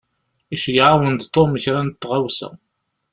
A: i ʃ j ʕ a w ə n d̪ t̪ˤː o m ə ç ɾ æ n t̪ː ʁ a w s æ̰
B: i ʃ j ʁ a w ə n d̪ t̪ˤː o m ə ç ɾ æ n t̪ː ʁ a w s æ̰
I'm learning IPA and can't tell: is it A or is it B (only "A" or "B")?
A